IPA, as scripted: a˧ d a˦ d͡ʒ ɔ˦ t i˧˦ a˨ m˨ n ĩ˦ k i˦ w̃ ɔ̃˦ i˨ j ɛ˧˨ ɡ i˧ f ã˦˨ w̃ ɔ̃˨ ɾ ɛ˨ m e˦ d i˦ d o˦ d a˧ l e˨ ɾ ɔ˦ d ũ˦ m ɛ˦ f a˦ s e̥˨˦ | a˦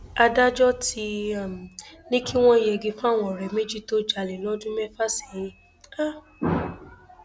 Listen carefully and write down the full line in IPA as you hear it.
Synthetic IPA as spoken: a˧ d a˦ d͡ʒ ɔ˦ t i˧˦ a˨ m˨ n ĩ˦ k i˦ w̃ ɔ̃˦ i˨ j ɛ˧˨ ɡ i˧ f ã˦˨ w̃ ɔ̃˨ ɾ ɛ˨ m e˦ d͡ʒ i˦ t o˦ d͡ʒ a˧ l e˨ l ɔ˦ d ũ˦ m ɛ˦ f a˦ s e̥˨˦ | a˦